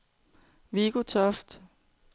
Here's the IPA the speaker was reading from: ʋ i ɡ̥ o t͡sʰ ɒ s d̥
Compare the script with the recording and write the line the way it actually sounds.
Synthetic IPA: ʋ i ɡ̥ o t͡sʰ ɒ f d̥